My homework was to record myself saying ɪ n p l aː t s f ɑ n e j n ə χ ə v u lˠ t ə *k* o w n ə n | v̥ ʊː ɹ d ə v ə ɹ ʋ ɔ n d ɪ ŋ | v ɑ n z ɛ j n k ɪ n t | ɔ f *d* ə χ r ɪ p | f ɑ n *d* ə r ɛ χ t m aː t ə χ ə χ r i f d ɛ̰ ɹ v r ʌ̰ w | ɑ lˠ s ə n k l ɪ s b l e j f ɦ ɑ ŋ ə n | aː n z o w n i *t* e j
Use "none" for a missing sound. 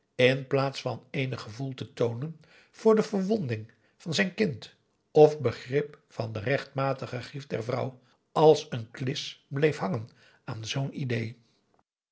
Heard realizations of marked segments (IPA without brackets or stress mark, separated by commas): t, b, d, d